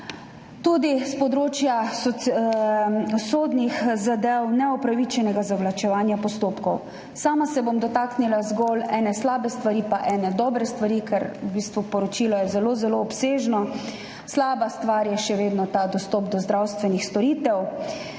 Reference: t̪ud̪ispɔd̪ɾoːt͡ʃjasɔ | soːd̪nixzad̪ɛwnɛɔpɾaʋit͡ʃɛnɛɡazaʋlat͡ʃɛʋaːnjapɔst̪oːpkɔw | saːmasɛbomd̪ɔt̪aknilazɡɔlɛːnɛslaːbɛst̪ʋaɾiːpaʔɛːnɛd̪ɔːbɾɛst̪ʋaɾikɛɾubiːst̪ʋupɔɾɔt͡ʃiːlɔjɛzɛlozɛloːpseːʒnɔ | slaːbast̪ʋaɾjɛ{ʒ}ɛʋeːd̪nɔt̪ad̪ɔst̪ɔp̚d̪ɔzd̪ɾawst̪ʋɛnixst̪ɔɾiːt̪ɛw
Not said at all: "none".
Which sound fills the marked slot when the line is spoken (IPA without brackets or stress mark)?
ʃ